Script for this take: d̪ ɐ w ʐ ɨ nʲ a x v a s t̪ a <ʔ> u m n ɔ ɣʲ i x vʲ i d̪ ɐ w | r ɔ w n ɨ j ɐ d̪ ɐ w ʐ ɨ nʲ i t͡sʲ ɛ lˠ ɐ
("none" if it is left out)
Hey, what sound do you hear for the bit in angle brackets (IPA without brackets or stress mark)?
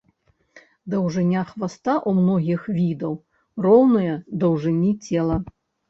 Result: ʔ